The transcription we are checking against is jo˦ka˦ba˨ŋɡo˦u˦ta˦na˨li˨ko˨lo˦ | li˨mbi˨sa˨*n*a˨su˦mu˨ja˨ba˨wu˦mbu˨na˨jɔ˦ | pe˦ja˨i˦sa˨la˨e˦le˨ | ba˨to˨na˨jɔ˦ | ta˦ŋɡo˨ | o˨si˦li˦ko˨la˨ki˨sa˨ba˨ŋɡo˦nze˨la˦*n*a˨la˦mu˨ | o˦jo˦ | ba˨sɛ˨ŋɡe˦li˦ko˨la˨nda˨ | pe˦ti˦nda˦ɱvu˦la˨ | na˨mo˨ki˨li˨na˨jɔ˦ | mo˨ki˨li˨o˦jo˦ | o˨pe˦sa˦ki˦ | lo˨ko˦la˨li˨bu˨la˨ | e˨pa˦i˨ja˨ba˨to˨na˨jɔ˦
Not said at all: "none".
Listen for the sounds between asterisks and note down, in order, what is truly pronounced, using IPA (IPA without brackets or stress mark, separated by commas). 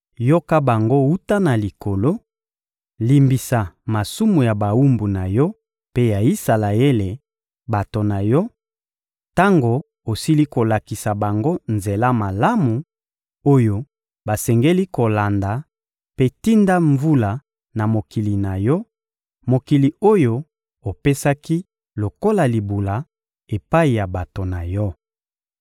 m, m